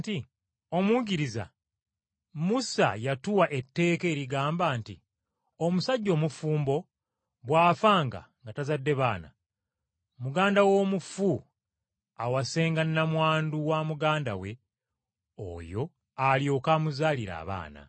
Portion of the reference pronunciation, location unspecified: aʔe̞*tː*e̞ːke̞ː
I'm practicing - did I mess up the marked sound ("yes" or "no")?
no